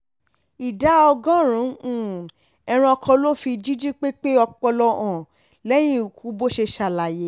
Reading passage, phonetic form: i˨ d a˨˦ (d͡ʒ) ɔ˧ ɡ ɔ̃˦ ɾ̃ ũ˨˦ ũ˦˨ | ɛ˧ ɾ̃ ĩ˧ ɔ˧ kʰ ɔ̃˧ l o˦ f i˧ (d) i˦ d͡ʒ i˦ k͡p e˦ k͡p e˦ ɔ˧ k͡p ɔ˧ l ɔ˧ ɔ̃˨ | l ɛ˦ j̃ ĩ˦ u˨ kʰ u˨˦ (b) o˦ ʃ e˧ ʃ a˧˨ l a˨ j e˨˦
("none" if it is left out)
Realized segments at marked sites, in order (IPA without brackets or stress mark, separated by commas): none, d͡ʒ, b